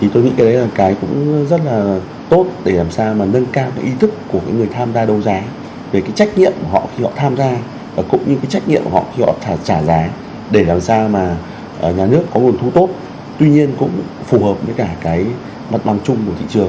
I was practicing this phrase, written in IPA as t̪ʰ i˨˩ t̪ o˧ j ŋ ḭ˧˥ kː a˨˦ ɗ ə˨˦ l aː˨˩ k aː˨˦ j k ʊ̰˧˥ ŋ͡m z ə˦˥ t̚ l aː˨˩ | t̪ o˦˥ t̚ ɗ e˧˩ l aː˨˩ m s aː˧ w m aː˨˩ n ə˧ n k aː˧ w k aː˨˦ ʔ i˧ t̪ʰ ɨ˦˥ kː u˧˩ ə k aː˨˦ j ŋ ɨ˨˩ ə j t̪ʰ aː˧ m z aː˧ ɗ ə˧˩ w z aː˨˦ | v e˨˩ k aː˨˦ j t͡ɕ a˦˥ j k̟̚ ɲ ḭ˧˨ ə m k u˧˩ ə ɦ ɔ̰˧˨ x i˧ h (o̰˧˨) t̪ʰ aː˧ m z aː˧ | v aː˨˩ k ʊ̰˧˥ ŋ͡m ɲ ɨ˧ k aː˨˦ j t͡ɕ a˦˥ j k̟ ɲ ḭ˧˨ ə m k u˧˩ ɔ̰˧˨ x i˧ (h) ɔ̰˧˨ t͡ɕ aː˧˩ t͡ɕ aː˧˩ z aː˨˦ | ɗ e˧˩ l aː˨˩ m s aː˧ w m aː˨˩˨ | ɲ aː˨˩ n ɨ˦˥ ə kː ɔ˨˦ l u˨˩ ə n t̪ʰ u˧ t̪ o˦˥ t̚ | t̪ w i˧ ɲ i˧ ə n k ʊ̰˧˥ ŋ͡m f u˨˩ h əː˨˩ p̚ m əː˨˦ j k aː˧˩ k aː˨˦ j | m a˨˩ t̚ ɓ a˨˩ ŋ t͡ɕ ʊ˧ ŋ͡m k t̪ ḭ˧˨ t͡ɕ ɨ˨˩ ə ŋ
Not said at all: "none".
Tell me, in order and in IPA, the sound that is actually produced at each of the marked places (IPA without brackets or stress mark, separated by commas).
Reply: ɔ̰˧˨, h